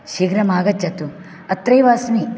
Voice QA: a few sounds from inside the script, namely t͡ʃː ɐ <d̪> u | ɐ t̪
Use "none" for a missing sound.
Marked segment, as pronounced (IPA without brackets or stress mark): t̪